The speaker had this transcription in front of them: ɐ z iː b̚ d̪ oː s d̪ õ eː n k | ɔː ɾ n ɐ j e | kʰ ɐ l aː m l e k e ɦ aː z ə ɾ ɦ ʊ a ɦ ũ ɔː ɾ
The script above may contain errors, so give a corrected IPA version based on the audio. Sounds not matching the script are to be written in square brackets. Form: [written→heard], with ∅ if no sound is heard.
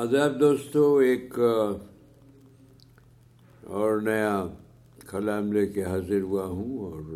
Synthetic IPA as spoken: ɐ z [iː→aː] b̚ d̪ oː s [d̪→t̪] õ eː [n→∅] k | ɔː ɾ n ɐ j [e→a] | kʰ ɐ l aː m l e k e ɦ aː z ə ɾ ɦ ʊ a ɦ ũ ɔː ɾ